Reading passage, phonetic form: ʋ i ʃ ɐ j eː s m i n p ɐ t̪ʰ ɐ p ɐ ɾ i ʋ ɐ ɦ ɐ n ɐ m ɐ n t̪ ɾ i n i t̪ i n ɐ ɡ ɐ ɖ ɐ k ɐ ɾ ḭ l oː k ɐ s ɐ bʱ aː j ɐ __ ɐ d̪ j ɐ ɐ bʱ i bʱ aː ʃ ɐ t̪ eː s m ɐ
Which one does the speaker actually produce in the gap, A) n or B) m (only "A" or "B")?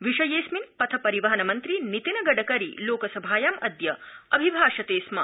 B